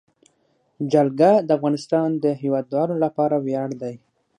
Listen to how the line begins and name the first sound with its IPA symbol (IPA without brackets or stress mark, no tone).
d͡ʒ